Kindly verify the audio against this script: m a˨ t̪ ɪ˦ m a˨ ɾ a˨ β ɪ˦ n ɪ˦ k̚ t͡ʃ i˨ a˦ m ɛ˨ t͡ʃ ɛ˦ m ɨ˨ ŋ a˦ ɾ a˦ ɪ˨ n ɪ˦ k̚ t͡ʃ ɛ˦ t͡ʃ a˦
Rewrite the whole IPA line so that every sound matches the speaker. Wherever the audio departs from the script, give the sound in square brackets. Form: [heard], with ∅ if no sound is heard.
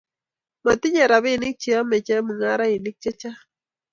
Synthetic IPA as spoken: m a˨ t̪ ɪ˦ [ɲ] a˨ ɾ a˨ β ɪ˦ n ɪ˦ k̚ t͡ʃ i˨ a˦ m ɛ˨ t͡ʃ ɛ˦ m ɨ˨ ŋ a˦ ɾ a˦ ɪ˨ n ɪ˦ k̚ t͡ʃ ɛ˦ t͡ʃ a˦